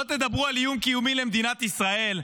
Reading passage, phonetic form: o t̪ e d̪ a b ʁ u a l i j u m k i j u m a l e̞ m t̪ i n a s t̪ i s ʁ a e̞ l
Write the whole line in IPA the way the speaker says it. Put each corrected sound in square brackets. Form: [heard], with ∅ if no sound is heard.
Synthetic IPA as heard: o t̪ e d̪ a b ʁ u a l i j u m k i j u m [i] l e̞ m [d̪] i n a [∅] t̪ i s ʁ a e̞ l